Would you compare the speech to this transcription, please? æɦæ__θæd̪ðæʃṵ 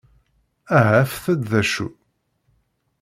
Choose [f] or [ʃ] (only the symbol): f